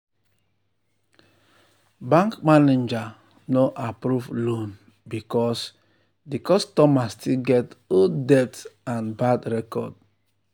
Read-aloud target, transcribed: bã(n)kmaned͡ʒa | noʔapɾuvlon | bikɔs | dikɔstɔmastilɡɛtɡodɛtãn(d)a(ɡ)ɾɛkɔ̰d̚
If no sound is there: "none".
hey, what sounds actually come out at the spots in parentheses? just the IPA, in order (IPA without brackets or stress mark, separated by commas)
ŋ, b, d